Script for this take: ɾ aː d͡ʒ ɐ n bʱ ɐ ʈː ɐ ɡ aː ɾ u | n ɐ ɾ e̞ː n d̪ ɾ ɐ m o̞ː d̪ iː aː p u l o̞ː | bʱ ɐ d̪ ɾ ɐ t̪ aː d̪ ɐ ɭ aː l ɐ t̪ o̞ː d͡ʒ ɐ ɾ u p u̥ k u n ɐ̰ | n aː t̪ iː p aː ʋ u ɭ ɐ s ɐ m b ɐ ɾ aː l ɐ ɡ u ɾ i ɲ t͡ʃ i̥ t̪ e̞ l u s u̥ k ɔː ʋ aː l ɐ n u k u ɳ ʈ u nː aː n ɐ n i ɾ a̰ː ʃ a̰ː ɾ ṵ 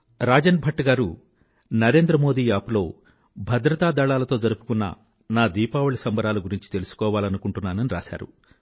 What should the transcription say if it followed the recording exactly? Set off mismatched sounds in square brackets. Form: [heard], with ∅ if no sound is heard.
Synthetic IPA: ɾ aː d͡ʒ ɐ n bʱ ɐ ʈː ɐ ɡ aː ɾ u | n ɐ ɾ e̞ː n d̪ ɾ ɐ m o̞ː d̪ iː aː p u l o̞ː | bʱ ɐ d̪ ɾ ɐ t̪ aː d̪ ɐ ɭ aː l ɐ t̪ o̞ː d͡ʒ ɐ ɾ u p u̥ k u [nː] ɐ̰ | n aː [d̪] iː p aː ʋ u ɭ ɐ s ɐ m b ɐ ɾ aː l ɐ ɡ u ɾ i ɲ t͡ʃ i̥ t̪ e̞ l u s u̥ k ɔː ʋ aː l ɐ n u k u ɳ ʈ u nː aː n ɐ n i ɾ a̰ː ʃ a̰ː ɾ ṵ